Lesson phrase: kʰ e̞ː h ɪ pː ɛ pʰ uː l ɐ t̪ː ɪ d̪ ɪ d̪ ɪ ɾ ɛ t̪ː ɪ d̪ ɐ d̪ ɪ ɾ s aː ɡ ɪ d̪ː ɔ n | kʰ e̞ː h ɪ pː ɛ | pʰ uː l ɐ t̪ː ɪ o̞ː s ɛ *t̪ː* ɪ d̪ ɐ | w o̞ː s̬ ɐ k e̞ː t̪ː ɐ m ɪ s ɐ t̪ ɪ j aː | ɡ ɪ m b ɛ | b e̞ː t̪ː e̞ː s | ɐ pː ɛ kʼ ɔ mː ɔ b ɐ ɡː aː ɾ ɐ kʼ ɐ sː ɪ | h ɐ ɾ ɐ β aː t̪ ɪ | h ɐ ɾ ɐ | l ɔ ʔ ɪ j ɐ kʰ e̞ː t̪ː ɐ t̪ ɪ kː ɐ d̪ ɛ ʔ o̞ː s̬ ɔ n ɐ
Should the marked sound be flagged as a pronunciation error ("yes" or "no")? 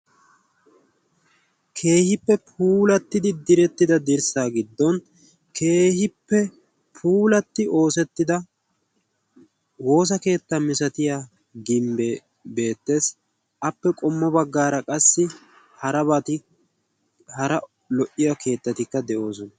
no